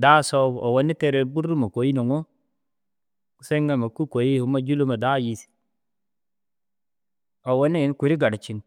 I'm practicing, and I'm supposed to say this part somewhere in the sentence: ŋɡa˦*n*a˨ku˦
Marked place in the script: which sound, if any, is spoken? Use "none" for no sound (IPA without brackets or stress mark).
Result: m